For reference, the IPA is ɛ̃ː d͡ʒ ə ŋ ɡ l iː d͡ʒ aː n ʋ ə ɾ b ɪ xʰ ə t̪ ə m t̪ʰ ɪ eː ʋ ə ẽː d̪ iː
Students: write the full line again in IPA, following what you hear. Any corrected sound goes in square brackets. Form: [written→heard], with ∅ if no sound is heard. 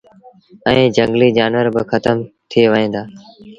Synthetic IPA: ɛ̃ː d͡ʒ ə ŋ ɡ l iː d͡ʒ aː n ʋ ə ɾ b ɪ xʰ ə t̪ ə m t̪ʰ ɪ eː ʋ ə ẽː d̪ [iː→aː]